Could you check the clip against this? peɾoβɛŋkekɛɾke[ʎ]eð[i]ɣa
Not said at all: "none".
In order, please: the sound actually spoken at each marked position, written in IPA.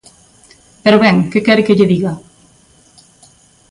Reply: ʎ, i

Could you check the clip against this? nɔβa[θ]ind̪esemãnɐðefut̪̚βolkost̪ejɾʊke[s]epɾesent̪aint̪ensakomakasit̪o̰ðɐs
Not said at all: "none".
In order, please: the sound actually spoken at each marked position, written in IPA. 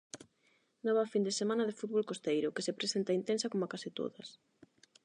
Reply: f, s

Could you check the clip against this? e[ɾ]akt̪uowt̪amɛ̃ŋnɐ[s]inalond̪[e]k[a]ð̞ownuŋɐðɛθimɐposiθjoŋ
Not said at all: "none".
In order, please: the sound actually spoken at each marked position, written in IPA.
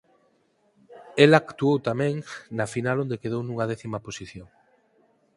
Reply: l, f, e, e

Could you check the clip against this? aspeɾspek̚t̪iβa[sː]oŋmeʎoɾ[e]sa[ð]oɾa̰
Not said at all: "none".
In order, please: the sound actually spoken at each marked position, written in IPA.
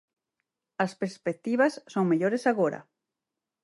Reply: sː, e, ɣ

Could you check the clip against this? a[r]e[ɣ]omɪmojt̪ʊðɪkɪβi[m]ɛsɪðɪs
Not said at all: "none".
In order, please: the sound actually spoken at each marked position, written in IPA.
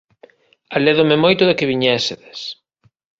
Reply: l, ð, ɲ

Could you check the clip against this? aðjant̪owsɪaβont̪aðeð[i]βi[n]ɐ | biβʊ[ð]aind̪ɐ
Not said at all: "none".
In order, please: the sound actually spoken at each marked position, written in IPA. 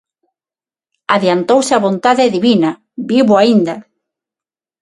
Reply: i, n, none

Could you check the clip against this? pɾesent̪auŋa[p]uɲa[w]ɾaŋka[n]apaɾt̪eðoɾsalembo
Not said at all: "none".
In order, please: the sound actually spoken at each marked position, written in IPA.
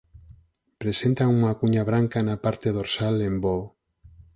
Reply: k, β, n

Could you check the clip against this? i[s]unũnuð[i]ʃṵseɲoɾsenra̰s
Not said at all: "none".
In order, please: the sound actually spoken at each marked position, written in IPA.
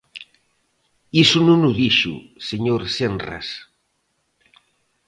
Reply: s, i

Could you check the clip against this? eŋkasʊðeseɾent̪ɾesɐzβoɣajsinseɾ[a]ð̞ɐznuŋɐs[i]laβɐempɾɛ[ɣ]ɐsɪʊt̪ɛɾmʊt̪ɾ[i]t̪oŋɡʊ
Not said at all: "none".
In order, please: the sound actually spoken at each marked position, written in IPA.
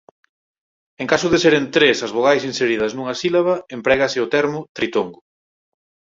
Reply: i, i, ɣ, i

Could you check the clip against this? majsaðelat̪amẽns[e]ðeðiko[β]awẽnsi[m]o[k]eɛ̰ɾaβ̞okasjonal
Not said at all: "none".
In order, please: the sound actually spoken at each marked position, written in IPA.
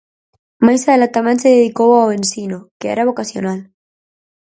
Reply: e, w, n, k

